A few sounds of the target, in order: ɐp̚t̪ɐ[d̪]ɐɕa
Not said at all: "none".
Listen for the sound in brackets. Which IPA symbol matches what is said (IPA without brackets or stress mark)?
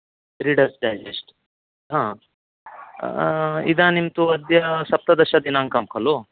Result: d̪